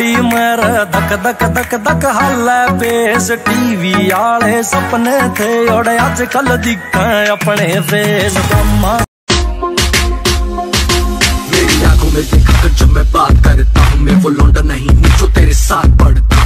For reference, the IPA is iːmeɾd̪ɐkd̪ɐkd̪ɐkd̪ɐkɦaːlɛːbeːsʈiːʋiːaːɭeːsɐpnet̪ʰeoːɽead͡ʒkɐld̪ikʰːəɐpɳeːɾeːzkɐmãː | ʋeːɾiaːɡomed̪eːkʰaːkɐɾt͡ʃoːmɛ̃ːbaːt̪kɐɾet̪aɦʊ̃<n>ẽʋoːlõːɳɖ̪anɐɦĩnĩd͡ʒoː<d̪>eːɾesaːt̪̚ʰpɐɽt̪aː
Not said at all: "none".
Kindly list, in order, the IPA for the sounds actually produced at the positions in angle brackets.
m, t̪

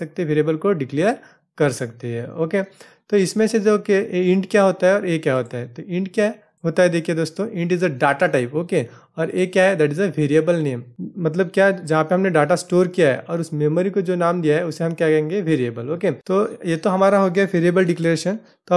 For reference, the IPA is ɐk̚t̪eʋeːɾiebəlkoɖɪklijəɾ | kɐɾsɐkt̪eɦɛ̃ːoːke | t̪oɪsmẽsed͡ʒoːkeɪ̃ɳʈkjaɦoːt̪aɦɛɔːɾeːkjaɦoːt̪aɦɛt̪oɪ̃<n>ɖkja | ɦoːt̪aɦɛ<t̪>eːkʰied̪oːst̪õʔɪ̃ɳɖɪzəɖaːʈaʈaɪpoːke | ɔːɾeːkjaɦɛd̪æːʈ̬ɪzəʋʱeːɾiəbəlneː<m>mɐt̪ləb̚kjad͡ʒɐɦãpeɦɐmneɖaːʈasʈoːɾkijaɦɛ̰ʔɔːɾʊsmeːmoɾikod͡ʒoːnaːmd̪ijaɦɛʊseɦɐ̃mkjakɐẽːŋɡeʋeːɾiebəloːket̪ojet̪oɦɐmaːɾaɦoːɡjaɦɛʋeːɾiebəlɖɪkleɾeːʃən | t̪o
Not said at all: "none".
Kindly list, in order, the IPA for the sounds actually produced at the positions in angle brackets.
ɳ, d̪, m

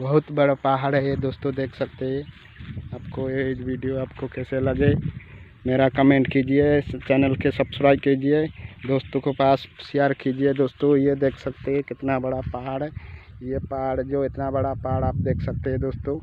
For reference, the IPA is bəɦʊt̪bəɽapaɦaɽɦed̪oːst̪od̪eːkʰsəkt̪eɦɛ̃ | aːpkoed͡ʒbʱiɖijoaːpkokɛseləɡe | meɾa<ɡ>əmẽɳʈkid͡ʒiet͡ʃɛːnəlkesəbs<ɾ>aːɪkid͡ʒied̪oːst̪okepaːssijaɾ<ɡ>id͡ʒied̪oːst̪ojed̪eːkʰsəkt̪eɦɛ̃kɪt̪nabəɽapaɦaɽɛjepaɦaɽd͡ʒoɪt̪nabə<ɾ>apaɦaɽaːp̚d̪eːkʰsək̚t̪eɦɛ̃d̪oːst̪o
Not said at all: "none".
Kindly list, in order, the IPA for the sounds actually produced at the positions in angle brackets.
k, ɾ, k, ɽ

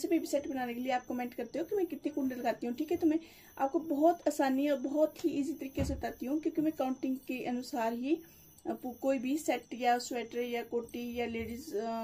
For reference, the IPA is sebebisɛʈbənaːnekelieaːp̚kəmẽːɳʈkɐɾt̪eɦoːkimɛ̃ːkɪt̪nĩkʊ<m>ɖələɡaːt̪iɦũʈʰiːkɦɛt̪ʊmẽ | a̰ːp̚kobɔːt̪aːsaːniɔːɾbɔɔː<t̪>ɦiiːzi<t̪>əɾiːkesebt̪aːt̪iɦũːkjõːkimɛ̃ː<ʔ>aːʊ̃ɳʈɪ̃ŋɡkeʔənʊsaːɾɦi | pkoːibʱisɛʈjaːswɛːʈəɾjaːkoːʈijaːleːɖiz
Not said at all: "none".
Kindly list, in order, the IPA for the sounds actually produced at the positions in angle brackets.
ɳ, t̪, t̪, k

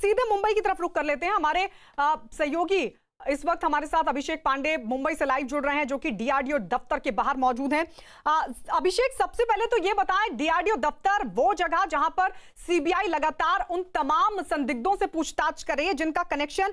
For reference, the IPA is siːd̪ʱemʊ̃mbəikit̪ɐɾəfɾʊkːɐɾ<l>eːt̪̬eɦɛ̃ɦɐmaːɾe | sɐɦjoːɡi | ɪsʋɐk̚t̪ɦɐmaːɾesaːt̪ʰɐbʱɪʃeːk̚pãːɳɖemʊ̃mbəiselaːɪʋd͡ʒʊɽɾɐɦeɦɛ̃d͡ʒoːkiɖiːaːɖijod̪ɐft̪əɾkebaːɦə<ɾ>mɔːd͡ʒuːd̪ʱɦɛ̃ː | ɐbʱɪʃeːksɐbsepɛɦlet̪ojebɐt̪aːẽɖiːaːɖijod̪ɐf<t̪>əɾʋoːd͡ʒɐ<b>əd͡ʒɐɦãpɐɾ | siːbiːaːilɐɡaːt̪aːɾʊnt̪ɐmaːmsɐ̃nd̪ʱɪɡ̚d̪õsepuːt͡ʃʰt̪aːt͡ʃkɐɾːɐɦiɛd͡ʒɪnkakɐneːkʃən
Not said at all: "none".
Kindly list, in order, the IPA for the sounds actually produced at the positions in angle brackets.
l, ɾ, t̪, ɡ

